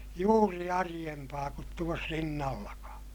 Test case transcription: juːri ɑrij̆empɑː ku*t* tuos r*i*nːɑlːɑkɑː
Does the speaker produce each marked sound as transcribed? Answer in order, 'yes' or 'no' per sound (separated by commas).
yes, yes